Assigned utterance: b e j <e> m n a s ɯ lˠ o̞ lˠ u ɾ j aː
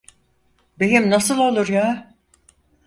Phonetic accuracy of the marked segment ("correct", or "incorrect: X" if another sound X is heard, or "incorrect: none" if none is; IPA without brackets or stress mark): incorrect: i